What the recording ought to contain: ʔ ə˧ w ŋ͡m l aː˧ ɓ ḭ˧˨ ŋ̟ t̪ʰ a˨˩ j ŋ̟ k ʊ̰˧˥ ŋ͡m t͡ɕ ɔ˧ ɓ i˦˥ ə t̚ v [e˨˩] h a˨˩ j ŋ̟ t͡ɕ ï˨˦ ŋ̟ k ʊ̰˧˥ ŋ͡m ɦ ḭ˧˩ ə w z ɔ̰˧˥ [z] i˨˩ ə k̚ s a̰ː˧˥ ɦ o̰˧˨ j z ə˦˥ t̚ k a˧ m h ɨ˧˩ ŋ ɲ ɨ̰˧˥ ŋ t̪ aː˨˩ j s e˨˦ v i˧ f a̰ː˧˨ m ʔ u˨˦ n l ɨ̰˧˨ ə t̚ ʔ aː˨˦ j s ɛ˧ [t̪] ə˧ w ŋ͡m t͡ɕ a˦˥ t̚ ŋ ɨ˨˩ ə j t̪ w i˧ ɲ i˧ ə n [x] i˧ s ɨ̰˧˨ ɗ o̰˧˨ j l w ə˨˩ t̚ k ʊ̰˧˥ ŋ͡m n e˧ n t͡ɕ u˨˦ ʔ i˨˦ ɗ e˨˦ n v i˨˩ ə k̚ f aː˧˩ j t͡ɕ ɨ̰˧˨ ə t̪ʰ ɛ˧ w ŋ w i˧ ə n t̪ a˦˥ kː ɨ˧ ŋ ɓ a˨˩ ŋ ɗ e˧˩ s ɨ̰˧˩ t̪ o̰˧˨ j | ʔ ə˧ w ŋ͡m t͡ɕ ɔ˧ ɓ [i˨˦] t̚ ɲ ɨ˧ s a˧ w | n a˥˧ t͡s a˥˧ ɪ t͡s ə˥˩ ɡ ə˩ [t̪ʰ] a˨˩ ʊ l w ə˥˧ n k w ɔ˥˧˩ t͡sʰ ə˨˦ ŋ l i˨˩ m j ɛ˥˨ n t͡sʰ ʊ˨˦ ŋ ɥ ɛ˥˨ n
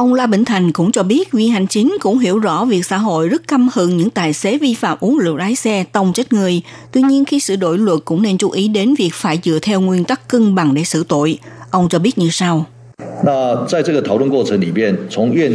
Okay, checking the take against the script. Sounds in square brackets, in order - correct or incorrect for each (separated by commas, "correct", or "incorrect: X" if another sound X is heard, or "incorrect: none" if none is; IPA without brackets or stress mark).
incorrect: i˨˩, incorrect: v, correct, correct, incorrect: i˦˥, correct